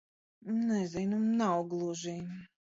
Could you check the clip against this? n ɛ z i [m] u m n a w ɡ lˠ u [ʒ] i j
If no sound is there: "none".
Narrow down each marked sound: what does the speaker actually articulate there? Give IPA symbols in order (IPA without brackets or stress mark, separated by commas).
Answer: n, ʒ